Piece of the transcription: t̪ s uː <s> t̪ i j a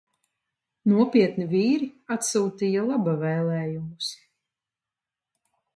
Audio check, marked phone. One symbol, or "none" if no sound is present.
none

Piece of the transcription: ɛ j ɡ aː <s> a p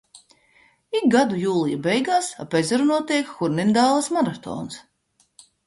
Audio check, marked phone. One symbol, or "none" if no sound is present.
s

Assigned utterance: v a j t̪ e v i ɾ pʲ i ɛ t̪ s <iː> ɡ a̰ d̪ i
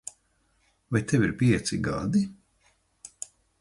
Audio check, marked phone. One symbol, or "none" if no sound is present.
i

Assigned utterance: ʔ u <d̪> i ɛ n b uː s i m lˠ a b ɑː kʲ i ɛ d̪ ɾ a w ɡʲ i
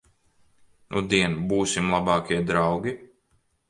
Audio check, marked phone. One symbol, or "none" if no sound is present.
d̪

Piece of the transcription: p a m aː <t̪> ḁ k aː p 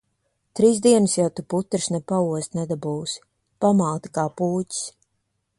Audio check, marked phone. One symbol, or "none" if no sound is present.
t̪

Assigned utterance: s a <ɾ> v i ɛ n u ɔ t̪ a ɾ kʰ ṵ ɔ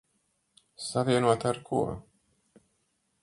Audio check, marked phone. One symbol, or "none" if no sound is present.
none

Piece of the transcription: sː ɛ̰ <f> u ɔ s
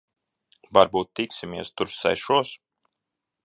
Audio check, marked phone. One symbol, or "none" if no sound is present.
ʃ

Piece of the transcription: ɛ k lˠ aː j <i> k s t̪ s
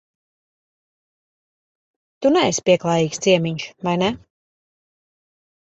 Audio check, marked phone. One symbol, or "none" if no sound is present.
iː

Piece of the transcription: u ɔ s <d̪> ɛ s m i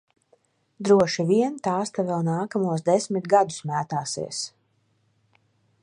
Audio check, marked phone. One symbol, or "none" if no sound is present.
d̪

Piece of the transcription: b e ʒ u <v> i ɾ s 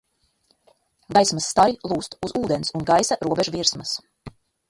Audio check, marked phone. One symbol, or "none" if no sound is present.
v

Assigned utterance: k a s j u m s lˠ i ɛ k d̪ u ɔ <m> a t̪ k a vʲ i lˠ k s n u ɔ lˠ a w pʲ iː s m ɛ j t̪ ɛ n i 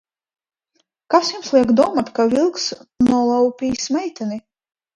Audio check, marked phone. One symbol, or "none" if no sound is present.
m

